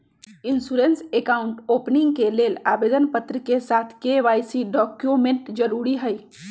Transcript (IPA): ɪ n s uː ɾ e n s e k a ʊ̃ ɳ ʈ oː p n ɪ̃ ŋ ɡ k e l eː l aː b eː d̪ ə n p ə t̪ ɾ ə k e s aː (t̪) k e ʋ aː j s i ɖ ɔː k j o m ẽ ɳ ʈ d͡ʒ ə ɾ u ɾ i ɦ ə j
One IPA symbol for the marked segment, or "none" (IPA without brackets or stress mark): t̪ʰ